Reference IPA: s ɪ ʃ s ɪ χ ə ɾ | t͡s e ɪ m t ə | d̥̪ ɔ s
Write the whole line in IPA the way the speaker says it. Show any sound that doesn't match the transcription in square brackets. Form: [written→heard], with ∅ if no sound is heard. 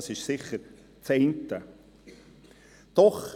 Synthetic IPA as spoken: s ɪ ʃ s ɪ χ ə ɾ | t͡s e ɪ [m→n] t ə | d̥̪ ɔ [s→χ]